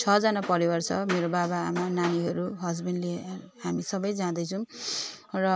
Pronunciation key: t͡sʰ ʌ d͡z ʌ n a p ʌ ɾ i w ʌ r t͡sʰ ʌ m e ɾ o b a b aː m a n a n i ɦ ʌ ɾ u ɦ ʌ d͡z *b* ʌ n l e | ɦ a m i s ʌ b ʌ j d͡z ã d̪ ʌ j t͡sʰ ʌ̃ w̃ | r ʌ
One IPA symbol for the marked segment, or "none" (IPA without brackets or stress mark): b